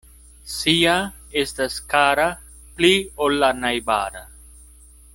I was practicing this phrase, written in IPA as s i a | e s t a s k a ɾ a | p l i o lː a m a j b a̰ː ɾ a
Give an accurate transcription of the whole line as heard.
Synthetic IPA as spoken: s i a | e s t a s k a ɾ a | p l i o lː a n a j b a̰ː ɾ a